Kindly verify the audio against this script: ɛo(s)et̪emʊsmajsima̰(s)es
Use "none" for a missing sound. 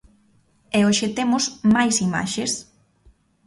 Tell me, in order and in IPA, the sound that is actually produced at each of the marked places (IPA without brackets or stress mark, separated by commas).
ʃ, ʃ